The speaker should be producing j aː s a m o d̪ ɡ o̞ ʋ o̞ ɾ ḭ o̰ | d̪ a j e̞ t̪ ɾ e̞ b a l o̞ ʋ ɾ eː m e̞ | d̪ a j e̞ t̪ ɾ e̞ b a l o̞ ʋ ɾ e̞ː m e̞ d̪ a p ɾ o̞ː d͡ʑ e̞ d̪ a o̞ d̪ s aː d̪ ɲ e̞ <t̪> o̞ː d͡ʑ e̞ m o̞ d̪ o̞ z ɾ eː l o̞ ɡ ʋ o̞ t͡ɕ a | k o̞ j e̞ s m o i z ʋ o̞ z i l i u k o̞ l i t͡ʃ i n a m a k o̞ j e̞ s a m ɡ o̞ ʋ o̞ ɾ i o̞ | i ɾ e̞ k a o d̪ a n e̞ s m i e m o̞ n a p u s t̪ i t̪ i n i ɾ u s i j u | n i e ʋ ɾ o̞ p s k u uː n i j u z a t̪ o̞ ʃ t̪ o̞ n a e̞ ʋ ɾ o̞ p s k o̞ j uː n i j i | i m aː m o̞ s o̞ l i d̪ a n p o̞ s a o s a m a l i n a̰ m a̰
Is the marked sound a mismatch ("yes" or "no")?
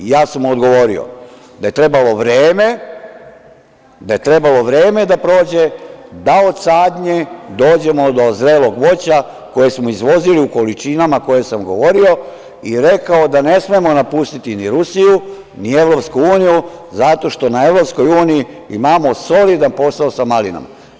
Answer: yes